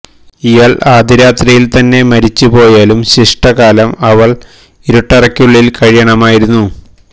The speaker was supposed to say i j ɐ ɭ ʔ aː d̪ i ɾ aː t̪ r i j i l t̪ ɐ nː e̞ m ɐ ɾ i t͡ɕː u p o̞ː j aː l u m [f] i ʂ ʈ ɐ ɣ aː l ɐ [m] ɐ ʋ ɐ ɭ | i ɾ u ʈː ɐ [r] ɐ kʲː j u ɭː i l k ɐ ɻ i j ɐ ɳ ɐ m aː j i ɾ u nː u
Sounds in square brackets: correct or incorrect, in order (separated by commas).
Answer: incorrect, correct, correct